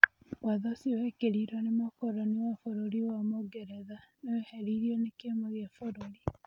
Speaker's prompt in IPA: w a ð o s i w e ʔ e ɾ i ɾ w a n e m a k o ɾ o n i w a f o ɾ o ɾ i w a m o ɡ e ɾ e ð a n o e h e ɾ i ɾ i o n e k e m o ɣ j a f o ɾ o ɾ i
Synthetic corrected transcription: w a ð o s i w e k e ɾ i ɾ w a n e m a k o ɾ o n i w a f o ɾ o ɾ i w a m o ɡ e ɾ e ð a n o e h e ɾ i ɾ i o n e k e m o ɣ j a f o ɾ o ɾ i